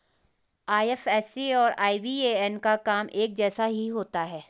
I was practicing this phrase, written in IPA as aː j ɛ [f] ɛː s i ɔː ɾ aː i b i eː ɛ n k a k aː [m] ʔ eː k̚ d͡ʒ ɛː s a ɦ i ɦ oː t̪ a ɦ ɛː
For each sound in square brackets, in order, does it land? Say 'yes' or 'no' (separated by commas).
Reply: yes, yes